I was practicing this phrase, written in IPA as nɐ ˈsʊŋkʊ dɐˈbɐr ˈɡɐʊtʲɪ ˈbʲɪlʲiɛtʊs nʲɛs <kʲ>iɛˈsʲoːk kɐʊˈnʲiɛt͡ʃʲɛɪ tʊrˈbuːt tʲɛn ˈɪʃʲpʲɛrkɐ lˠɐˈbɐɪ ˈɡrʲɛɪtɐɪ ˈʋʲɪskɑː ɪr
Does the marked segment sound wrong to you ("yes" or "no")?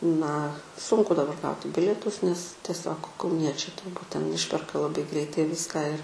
yes